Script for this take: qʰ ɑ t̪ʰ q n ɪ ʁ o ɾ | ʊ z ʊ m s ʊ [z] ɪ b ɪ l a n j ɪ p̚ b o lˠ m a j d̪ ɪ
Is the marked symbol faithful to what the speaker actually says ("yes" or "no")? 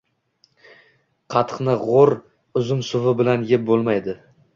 no